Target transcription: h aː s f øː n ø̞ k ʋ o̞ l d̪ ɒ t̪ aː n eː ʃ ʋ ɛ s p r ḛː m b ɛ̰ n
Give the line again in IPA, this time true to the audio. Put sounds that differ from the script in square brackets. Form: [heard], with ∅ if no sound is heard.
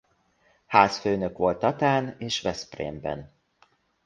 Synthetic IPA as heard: h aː s f øː n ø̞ k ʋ o̞ l [t̪] ɒ t̪ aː n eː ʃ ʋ ɛ s p r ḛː m b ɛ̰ n